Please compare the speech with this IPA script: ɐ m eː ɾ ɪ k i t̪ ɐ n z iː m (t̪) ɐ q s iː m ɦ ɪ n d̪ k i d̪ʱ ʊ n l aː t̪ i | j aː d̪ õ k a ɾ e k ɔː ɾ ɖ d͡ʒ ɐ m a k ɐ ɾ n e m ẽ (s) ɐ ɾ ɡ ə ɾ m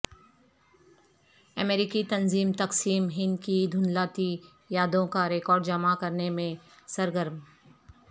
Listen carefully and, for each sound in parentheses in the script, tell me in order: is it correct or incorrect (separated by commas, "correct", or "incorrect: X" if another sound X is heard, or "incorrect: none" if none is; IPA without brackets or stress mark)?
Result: correct, correct